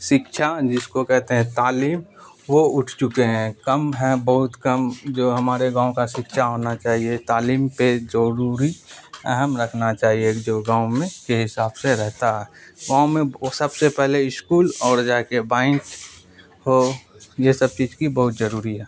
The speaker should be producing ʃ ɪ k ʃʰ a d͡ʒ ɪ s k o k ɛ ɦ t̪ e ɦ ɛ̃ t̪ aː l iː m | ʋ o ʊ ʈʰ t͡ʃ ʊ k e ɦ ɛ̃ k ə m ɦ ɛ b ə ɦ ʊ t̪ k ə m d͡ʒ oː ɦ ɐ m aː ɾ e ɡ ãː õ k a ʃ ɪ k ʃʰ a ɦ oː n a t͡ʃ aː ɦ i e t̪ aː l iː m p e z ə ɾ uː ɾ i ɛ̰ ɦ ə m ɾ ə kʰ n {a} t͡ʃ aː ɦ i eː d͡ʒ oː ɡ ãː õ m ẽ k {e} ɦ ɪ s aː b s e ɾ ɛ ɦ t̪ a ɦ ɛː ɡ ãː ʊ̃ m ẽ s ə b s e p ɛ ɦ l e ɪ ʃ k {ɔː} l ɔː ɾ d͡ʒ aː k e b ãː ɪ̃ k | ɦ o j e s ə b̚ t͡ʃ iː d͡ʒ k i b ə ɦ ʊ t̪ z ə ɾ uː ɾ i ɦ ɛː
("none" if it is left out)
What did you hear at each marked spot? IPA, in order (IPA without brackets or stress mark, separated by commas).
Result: a, e, uː